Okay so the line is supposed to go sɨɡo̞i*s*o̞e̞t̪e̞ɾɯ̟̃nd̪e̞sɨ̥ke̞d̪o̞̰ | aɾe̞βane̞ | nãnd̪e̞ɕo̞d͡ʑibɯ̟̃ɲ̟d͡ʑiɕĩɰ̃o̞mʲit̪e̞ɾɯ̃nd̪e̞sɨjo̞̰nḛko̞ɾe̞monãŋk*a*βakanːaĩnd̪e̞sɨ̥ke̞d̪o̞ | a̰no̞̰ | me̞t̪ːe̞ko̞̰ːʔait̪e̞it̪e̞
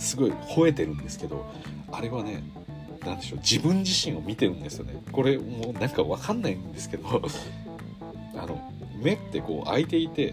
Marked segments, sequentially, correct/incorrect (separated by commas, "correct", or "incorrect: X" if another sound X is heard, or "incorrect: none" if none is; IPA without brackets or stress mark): incorrect: h, correct